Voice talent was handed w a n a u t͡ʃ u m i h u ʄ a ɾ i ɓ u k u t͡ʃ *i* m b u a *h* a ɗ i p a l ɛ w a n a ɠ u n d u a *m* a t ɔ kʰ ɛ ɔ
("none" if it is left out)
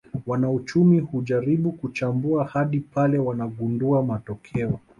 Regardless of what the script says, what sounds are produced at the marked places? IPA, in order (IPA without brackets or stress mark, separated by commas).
a, h, m